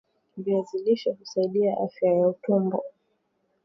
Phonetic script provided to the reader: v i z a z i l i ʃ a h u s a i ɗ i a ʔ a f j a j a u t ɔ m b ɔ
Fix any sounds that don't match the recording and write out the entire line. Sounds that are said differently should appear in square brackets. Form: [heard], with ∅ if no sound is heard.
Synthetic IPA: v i [∅] a z i l i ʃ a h u s a i ɗ i a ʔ a f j a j a u t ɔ m b ɔ